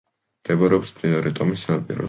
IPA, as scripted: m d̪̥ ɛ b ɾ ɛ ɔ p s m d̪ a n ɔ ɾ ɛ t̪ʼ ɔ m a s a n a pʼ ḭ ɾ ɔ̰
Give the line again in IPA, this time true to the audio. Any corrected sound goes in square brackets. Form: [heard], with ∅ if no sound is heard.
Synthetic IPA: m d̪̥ ɛ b ɾ ɛ ɔ p s m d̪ [i] n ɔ ɾ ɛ t̪ʼ ɔ m [i] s a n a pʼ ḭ ɾ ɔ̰